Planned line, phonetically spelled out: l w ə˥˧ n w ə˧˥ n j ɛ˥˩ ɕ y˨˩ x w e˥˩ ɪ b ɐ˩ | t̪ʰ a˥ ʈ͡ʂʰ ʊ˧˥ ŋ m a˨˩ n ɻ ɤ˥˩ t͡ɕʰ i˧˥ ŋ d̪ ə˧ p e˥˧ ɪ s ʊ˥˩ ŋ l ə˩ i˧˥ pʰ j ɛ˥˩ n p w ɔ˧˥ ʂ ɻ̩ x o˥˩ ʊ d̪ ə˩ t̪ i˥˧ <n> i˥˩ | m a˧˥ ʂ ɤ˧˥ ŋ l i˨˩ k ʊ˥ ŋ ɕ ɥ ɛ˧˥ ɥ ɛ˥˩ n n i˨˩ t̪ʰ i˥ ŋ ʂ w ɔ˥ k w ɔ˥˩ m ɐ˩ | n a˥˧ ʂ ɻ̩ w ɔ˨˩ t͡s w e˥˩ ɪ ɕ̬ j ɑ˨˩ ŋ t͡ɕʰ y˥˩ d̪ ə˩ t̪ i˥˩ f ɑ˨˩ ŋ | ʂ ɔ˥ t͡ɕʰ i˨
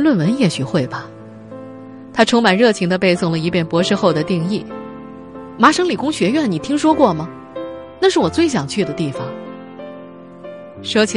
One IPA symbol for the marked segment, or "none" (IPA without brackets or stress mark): ŋ